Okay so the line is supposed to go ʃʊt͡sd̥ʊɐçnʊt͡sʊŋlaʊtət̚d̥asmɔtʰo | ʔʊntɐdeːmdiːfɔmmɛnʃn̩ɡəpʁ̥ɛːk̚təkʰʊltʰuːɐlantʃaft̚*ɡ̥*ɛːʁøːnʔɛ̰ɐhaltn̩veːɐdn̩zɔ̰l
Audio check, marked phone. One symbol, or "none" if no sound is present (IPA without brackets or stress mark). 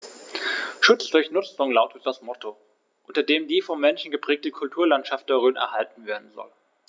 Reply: d̥